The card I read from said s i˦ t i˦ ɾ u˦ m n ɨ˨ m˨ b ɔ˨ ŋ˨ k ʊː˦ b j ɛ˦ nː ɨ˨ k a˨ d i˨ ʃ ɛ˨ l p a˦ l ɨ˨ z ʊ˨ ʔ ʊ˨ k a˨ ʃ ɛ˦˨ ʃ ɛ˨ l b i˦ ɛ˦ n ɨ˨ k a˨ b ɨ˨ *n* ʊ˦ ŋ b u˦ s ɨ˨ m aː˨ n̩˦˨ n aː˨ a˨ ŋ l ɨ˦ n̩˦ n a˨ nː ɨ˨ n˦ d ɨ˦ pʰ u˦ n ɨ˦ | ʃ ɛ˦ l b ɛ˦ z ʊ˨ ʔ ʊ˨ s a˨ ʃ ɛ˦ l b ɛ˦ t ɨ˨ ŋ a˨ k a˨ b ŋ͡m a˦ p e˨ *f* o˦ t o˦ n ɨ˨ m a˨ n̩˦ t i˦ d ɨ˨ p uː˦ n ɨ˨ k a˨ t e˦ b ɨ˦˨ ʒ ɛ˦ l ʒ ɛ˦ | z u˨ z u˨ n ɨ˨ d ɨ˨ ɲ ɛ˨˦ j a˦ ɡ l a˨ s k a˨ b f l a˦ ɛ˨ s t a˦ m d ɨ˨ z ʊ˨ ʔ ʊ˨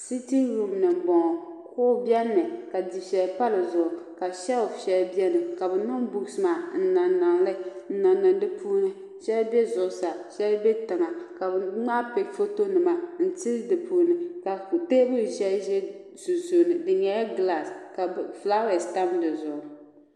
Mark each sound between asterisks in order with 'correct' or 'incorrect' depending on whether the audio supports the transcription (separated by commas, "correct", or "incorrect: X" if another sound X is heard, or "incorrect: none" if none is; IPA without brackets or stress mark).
correct, correct